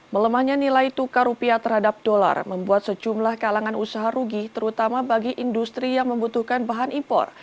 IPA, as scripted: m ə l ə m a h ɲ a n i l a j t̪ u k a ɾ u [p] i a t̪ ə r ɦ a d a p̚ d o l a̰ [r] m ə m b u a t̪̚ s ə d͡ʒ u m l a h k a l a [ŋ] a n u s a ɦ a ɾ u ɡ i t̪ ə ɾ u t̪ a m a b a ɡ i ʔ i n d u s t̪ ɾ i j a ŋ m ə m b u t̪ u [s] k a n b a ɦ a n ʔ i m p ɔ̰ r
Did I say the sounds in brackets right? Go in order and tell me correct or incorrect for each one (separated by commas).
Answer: correct, correct, correct, incorrect